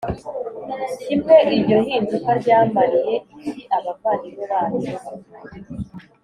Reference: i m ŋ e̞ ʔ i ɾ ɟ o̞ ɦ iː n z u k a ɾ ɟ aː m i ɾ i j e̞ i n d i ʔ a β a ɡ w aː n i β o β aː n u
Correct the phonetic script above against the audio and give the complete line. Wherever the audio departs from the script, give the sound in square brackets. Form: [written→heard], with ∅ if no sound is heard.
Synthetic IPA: i m ŋ e̞ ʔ i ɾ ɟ o̞ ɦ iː n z u k a ɾ ɟ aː m [i→a] ɾ i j e̞ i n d i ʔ a β a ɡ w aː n i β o β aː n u